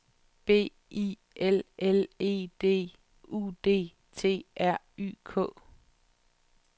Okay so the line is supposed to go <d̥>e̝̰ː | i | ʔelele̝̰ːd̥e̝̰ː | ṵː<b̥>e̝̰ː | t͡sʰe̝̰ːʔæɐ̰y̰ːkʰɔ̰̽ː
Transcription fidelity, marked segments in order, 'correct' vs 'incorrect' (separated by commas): incorrect, incorrect